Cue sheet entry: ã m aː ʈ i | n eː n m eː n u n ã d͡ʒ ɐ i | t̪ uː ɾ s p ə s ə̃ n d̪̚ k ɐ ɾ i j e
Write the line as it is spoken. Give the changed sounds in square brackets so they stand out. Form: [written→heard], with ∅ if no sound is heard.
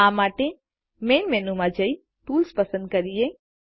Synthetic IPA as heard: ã m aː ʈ [i→e] | [n→m] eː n m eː n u [n→m] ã d͡ʒ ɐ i | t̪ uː [ɾ→l] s p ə s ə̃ n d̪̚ k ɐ ɾ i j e